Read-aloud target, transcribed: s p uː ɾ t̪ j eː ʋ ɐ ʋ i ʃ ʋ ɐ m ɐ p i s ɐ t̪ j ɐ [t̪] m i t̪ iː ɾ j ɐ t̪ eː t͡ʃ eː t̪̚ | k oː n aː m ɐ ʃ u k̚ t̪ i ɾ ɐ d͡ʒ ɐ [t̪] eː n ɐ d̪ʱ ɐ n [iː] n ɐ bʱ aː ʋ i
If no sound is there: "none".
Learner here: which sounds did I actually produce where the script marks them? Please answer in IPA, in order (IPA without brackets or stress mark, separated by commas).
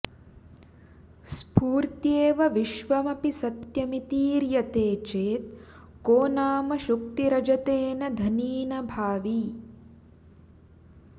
none, t̪, iː